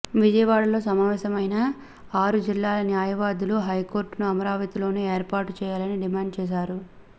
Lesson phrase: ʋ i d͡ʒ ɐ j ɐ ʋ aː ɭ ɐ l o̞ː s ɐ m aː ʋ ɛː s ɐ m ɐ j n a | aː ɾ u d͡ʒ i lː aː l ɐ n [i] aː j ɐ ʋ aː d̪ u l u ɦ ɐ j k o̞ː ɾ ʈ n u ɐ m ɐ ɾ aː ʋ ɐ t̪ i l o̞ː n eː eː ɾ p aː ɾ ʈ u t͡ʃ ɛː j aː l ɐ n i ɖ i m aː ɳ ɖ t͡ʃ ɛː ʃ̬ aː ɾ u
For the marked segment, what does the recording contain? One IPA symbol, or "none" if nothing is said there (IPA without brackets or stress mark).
j